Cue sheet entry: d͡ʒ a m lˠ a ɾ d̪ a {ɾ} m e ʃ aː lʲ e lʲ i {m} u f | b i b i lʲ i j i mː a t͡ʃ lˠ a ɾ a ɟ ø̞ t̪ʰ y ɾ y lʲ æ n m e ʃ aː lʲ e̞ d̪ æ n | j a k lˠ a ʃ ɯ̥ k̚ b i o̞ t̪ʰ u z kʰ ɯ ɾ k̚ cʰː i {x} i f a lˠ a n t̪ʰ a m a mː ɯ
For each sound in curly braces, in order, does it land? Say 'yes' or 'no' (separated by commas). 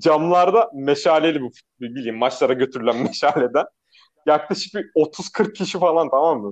no, no, no